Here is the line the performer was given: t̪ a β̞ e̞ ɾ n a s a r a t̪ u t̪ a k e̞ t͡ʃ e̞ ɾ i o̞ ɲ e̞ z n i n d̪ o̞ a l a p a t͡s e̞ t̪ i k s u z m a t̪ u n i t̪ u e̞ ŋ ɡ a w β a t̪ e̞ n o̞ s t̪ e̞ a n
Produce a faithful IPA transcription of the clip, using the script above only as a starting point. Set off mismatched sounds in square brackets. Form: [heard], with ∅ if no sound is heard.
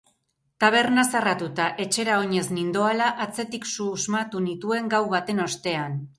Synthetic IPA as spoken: t̪ a β̞ e̞ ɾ n a s a r a t̪ u t̪ a [ʔ] e̞ t͡ʃ e̞ ɾ [a] o̞ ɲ e̞ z n i n d̪ o̞ a l a [ʔ] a t͡s e̞ t̪ i k s u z m a t̪ u n i t̪ u e̞ ŋ ɡ a w β a t̪ e̞ n o̞ s t̪ e̞ a n